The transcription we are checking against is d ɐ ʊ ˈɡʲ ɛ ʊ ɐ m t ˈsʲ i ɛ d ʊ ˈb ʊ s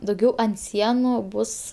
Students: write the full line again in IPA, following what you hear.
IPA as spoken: d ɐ ʊ ˈɡʲ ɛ ʊ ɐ n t ˈsʲ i ɛ n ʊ ˈb ʊ s